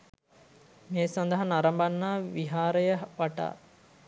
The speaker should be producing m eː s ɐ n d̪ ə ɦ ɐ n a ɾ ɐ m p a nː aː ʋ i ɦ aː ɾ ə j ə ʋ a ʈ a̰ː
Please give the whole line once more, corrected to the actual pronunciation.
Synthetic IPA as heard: m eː s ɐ n d̪ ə ɦ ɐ n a ɾ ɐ m b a nː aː ʋ i ɦ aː ɾ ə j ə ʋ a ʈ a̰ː